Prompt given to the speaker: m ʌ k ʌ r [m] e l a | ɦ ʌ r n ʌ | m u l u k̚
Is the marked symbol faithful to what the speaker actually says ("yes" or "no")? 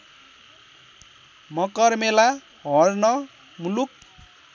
yes